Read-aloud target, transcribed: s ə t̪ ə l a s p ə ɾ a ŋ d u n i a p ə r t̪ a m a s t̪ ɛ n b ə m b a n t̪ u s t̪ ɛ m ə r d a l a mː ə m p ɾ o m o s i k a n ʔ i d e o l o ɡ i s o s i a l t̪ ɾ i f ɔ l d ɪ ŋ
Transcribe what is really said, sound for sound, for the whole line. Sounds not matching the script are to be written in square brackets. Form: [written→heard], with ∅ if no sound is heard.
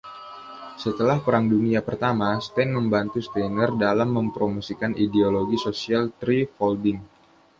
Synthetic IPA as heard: s ə t̪ ə l a [s→h] p ə ɾ a ŋ d u n i a p ə r t̪ a m a s t̪ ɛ n [b→m] ə m b a n t̪ u s t̪ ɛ [m→n] ə r d a l a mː ə m p ɾ o m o s i k a n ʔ i d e o l o ɡ i s o s i a l t̪ ɾ i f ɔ l d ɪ ŋ

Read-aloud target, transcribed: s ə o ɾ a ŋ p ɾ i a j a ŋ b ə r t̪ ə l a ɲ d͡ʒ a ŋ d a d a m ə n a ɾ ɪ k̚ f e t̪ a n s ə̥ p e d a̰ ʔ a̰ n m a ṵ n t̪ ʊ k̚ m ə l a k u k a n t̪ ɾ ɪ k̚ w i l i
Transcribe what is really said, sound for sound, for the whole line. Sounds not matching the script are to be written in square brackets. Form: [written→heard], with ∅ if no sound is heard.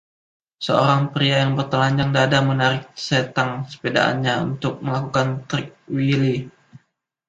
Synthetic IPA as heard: s ə o ɾ a ŋ p ɾ i a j a ŋ b ə r t̪ ə l a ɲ d͡ʒ a ŋ d a d a m ə n a ɾ ɪ k̚ [f→s] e t̪ a [n→ŋ] s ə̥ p e d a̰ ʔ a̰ n [m→ɲ] a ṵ n t̪ ʊ k̚ m ə l a k u k a n t̪ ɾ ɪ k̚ w i l i

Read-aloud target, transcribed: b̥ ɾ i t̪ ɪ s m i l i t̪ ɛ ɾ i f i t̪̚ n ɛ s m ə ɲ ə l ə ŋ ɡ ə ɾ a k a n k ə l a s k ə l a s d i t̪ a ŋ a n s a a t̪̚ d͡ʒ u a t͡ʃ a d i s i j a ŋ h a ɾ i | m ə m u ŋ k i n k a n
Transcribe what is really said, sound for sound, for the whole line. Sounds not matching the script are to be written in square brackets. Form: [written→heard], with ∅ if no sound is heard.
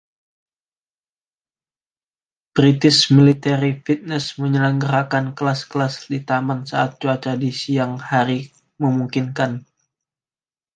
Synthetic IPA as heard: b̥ ɾ i t̪ ɪ s m i l i t̪ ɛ ɾ i f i t̪̚ n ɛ s m ə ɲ ə l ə ŋ ɡ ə ɾ a k a n k ə l a s k ə l a s d i t̪ a [ŋ→m] a n s a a t̪̚ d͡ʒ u a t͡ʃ a d i s i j a ŋ h a ɾ i | m ə m u ŋ k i n k a n

